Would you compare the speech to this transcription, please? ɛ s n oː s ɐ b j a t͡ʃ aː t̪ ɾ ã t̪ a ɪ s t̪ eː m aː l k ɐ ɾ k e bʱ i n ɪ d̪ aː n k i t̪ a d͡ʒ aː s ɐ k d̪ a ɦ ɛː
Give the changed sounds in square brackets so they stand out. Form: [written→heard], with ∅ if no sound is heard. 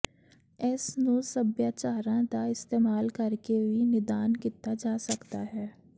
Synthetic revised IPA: ɛ s n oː s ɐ b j a t͡ʃ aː [t̪→∅] ɾ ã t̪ a ɪ s t̪ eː m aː l k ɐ ɾ k e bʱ i n ɪ d̪ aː n k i t̪ a d͡ʒ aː s ɐ k [d̪→t̪] a ɦ ɛː